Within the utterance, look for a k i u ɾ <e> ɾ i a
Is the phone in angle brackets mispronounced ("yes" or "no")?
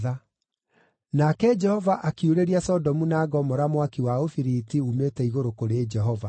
no